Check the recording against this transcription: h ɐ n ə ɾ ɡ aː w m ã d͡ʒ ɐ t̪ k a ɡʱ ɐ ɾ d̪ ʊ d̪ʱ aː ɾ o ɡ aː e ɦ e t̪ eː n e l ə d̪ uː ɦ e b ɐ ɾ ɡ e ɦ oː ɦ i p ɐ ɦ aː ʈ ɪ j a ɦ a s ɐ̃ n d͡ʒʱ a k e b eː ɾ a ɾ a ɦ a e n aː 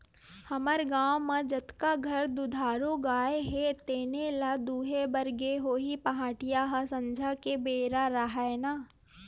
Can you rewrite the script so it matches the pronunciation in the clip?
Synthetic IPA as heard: h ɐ m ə ɾ ɡ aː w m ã d͡ʒ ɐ t̪ k a ɡʱ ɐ ɾ d̪ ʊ d̪ʱ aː ɾ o ɡ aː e ɦ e t̪ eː n e l a d̪ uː ɦ e b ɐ ɾ ɡ e ɦ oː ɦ i p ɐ ɦ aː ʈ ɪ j a ɦ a s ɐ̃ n d͡ʒʱ a k e b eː ɾ a ɾ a ɦ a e n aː